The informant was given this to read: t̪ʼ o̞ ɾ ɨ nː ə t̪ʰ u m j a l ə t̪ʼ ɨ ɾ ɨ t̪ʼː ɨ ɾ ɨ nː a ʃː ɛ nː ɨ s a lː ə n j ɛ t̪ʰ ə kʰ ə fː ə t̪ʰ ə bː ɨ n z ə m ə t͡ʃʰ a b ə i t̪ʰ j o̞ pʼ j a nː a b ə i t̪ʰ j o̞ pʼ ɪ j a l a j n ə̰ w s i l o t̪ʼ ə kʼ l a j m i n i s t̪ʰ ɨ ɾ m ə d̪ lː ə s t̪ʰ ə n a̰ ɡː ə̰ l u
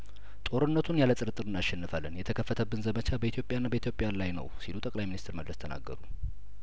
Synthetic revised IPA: t̪ʼ o̞ ɾ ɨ nː ə t̪ʰ u n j a l ə t̪ʼ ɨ ɾ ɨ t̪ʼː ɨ ɾ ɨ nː a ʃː ɛ nː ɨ f a lː ə n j ɛ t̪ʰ ə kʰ ə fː ə t̪ʰ ə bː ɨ n z ə m ə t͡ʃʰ a b ə i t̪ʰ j o̞ pʼ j a nː a b ə i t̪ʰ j o̞ pʼ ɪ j a l a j n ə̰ w s i l u t̪ʼ ə kʼ l a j m i n i s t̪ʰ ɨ ɾ m ə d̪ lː ə s t̪ʰ ə n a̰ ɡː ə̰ ɾ u